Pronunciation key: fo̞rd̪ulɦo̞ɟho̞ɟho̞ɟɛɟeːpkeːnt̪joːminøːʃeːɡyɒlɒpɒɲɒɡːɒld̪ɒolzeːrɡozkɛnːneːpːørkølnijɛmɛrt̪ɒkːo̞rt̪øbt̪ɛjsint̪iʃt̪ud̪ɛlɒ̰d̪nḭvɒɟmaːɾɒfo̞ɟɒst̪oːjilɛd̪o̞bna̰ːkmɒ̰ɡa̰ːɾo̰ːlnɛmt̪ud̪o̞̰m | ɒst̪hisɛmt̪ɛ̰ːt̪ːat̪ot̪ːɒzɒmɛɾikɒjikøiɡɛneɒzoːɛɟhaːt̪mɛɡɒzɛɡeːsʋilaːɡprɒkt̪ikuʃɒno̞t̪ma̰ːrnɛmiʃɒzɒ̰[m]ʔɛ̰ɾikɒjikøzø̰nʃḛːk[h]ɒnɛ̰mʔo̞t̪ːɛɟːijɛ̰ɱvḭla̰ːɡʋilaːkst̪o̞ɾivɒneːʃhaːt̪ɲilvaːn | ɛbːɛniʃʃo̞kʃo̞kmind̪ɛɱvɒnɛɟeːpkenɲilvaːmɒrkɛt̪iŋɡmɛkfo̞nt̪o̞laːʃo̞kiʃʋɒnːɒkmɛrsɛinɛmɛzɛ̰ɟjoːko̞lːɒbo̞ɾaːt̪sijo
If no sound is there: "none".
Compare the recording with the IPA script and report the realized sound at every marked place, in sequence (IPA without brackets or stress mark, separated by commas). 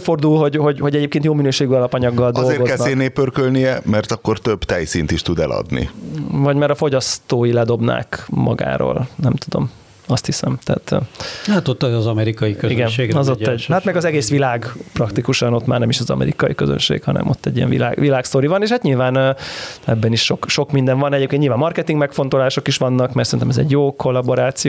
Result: m, h